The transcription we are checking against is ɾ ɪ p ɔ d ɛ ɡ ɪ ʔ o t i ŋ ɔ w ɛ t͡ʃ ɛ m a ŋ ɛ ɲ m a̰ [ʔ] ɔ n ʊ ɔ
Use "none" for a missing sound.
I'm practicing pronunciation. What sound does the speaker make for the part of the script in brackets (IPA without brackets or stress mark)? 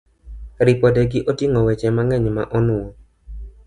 ʔ